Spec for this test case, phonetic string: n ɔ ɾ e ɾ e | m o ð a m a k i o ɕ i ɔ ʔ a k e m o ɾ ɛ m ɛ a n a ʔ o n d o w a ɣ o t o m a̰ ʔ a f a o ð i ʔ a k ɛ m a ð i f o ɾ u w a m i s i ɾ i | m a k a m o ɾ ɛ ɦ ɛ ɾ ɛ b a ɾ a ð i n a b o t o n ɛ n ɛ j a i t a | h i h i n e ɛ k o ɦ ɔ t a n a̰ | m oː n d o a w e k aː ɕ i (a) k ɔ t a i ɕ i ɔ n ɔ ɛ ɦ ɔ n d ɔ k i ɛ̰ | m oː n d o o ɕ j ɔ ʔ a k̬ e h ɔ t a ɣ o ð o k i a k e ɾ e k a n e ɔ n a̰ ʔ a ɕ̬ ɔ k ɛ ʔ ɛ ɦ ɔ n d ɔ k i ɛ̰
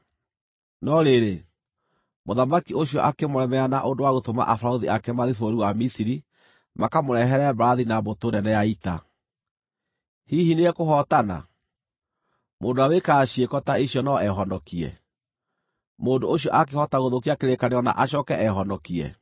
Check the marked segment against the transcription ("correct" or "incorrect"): incorrect